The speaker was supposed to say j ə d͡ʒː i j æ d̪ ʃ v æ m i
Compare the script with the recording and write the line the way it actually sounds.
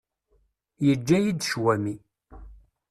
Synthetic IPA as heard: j ə d͡ʒː æ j i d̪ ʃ w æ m i